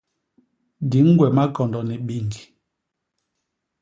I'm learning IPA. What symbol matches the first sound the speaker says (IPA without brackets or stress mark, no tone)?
d